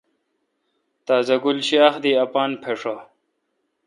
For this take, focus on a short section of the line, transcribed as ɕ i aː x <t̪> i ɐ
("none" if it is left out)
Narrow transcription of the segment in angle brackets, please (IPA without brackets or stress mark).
d̪